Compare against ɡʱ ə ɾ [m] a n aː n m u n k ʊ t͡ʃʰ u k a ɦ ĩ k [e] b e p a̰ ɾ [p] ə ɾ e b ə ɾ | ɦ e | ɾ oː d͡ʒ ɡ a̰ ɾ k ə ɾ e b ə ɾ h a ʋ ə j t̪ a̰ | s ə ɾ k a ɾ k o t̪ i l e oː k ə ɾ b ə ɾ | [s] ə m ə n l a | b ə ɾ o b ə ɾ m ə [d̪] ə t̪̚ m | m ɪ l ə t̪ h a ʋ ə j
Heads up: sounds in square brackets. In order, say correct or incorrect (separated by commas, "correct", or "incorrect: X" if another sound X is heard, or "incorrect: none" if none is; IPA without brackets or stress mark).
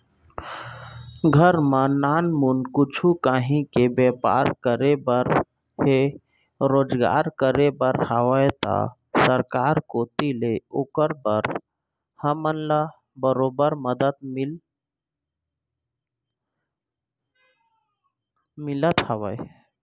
correct, correct, incorrect: k, incorrect: h, correct